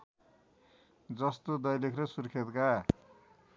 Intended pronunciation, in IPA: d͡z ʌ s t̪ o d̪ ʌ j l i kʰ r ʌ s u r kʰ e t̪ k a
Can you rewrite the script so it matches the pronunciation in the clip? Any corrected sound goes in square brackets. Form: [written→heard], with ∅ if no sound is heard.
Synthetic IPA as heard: d͡z ʌ s t̪ o d̪ ʌ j l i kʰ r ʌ s u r kʰ e t̪ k a